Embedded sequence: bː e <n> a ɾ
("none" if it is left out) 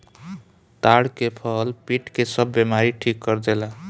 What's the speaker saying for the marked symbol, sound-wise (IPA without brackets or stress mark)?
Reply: m